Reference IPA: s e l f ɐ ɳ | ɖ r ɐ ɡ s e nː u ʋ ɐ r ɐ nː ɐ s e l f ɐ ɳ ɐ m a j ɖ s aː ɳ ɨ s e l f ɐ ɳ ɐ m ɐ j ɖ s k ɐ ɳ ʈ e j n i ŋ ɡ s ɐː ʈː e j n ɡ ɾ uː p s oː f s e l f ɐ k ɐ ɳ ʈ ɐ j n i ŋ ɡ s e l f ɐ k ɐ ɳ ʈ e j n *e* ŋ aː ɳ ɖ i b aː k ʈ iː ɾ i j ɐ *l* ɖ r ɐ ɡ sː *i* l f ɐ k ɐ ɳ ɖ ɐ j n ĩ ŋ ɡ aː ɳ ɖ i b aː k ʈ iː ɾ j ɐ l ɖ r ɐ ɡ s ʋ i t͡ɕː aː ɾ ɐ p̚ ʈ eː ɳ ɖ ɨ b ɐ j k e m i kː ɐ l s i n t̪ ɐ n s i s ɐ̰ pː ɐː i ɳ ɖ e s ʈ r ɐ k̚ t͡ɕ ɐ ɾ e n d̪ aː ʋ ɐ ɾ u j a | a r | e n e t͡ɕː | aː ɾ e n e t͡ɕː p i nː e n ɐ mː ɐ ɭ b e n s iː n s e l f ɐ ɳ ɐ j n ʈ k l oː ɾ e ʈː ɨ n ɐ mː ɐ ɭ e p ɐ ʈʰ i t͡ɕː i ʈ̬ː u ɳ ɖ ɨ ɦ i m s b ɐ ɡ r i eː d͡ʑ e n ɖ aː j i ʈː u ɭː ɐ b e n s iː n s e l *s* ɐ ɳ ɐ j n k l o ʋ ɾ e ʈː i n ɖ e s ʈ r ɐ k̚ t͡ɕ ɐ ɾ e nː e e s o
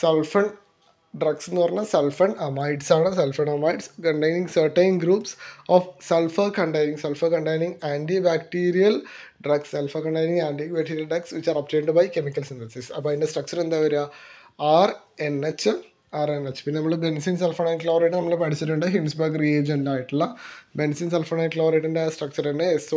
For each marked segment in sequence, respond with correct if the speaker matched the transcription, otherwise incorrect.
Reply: incorrect, correct, incorrect, incorrect

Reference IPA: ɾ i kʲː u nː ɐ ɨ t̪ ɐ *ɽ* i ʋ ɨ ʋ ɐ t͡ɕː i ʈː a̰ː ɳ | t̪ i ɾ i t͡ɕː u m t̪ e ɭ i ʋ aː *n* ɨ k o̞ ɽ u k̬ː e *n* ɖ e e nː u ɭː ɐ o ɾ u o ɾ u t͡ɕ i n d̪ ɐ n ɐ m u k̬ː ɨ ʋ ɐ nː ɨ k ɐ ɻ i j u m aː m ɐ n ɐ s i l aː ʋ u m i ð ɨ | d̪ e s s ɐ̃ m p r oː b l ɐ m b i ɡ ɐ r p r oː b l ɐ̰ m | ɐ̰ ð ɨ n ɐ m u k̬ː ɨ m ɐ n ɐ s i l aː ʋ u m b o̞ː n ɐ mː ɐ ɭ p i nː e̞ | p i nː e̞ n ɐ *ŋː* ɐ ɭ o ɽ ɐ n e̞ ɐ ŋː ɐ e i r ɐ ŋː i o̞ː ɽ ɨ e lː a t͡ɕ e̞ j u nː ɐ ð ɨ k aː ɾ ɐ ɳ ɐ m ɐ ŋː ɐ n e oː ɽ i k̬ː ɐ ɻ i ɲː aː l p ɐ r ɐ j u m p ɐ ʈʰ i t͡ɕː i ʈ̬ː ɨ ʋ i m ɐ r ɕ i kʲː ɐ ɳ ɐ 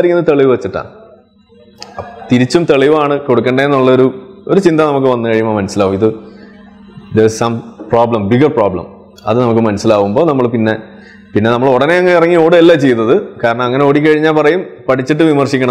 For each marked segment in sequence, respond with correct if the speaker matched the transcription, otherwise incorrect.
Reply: incorrect, incorrect, incorrect, incorrect

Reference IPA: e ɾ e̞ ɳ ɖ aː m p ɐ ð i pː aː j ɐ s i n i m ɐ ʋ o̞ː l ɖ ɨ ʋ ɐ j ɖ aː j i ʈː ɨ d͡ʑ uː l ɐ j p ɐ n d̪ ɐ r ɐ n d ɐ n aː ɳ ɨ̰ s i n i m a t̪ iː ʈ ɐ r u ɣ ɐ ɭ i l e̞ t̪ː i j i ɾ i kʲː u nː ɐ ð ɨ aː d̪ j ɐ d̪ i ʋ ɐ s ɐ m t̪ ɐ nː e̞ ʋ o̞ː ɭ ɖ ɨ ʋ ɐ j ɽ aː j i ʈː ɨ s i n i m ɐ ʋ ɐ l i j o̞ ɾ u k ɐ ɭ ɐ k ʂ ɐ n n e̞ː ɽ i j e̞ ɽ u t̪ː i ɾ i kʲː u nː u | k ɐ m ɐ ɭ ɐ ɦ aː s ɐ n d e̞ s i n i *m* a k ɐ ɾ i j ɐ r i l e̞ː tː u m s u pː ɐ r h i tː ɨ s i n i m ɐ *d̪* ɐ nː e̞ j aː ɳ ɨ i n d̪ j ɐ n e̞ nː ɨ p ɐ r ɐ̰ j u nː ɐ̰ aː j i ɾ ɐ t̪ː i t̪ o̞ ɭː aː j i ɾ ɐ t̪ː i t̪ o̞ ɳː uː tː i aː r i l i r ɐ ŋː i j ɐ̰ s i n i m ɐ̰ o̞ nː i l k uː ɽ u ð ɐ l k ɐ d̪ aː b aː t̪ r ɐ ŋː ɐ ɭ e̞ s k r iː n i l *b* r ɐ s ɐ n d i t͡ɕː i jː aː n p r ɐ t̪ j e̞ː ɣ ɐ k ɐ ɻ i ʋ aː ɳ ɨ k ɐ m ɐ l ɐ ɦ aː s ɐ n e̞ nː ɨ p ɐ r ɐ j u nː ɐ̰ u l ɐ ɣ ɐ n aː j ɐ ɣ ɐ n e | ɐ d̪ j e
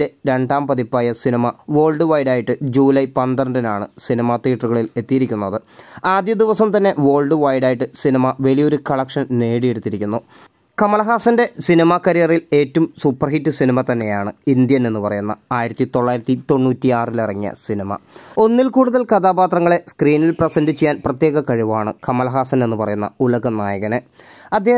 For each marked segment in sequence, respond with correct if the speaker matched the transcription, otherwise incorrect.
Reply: correct, incorrect, incorrect

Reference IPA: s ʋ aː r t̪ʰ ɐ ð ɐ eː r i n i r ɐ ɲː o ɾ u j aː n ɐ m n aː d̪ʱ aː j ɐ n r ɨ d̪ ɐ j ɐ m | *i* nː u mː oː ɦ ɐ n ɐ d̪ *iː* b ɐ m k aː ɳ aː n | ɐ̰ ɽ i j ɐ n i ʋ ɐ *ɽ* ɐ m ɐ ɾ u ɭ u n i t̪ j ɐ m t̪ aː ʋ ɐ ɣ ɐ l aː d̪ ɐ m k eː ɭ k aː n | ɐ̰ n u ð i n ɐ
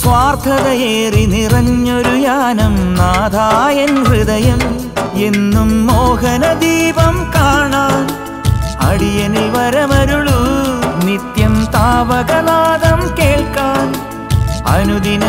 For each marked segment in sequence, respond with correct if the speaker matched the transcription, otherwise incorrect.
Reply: incorrect, correct, incorrect

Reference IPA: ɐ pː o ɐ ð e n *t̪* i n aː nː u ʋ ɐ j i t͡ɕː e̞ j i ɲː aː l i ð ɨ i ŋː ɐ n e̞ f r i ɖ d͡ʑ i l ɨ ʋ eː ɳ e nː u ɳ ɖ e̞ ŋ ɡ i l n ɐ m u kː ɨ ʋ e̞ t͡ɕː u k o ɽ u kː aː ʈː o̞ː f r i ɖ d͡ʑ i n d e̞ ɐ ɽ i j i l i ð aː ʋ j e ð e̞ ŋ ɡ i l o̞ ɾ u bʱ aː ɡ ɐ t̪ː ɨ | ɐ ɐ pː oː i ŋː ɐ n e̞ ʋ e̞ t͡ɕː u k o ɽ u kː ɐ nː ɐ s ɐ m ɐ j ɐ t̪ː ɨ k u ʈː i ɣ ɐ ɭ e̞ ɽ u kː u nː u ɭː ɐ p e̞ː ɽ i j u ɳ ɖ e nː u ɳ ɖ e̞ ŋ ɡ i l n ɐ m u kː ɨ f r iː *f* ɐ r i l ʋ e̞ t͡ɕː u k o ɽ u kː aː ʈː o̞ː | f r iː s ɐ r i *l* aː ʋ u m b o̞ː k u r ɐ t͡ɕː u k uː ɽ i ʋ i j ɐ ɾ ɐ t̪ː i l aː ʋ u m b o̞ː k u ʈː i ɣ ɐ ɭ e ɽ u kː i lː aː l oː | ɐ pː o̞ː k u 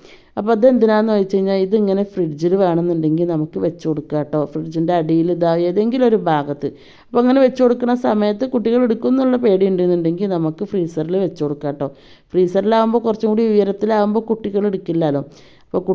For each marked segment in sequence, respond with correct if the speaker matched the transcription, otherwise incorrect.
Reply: incorrect, incorrect, correct

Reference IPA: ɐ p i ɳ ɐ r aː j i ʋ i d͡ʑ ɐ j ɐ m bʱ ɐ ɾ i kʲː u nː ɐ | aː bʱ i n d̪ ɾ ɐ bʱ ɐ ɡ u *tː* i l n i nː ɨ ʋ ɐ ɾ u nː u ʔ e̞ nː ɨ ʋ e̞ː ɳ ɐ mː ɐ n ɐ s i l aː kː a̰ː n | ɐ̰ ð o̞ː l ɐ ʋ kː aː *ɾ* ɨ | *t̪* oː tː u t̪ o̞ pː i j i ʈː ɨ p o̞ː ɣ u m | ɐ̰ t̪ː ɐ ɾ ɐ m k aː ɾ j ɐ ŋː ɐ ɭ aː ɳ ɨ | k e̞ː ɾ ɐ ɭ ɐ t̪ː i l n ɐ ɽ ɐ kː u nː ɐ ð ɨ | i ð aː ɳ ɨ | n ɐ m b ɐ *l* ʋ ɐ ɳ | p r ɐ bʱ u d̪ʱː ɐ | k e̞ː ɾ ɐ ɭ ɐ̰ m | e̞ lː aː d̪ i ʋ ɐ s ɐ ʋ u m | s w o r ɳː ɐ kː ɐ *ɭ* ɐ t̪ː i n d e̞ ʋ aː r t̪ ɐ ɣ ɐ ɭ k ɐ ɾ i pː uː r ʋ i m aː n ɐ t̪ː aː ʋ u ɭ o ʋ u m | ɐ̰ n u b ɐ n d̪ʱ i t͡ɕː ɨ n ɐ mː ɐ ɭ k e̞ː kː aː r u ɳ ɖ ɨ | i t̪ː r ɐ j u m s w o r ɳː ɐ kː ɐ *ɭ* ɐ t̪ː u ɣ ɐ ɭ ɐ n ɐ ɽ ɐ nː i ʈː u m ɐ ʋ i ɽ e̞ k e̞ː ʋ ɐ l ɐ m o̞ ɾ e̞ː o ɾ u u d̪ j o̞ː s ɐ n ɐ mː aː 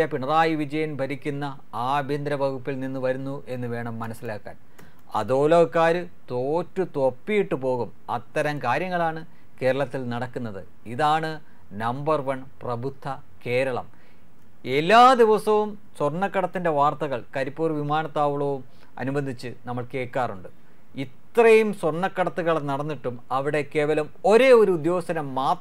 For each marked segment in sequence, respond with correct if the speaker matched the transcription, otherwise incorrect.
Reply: incorrect, correct, correct, incorrect, incorrect, incorrect

